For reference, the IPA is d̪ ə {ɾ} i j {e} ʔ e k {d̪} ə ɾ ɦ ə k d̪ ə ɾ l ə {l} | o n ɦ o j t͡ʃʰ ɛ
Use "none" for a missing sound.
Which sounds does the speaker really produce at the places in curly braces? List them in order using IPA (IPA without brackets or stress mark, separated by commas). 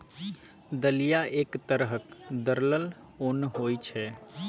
l, a, t̪, l